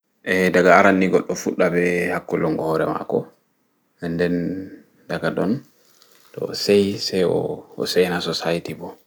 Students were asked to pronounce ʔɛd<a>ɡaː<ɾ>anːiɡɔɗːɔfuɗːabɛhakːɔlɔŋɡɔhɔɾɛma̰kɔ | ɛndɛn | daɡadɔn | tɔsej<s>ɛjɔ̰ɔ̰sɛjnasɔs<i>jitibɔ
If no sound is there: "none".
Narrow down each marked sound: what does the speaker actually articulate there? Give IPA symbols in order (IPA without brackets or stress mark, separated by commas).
a, ɾ, s, a